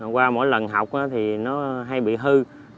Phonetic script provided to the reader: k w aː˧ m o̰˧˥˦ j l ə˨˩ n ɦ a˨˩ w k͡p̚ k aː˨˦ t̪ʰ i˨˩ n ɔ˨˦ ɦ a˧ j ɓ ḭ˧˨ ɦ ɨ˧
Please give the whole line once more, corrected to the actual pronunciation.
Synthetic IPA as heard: k w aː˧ m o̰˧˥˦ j l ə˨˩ n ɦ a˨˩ w k͡p̚ ʔ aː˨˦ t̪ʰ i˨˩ n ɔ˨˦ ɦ a˧ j ɓ ḭ˧˨ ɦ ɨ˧

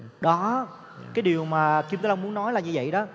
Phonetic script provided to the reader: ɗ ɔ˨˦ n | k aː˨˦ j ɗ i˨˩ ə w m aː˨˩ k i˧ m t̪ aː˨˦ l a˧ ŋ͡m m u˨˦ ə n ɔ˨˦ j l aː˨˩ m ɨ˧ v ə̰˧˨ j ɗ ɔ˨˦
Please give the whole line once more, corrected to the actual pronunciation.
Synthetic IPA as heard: ɗ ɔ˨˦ | k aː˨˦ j ɗ i˨˩ ə w m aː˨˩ k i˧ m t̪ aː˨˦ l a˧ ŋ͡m m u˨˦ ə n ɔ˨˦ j l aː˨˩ ɲ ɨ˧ v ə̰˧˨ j ɗ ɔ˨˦

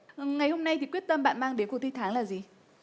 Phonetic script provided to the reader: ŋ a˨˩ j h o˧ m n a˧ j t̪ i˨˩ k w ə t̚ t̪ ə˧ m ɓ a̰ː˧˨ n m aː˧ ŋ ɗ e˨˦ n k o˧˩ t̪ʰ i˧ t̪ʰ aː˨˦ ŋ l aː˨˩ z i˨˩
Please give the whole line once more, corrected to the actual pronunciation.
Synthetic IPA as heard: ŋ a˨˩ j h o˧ m n a˧ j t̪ i˨˩ k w ə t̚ t̪ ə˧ m ɓ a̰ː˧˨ n m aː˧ ŋ ɗ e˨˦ n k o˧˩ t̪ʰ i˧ t̪ʰ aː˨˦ ŋ l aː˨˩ z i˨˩

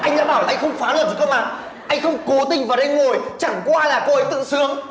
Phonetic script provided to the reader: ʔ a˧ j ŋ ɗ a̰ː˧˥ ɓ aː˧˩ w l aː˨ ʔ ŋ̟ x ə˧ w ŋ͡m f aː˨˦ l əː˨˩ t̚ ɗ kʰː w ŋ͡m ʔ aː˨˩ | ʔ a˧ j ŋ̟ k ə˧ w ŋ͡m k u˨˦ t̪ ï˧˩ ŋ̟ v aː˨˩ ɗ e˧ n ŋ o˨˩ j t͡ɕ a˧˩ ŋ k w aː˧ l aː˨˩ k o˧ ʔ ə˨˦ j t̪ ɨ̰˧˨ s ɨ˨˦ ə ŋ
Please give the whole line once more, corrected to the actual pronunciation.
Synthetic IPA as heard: ʔ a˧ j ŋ ɗ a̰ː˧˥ ɓ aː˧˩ w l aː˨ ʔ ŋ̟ x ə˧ w ŋ͡m f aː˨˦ l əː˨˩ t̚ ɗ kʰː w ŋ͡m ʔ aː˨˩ | ʔ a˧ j ŋ̟ x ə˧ w ŋ͡m k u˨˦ t̪ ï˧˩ ŋ̟ v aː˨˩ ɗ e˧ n ŋ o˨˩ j t͡ɕ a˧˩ ŋ k w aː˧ l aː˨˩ k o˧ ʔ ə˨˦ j t̪ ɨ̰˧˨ s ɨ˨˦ ə ŋ

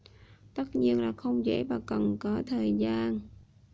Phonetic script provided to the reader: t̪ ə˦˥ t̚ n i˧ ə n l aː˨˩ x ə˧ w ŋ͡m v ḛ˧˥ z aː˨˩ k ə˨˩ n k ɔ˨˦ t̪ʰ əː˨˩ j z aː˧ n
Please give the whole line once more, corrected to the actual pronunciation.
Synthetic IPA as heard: t̪ ə˦˥ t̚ ɲ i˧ ə n l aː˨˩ x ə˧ w ŋ͡m z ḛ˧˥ v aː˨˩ k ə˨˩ n k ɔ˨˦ t̪ʰ əː˨˩ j z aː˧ n

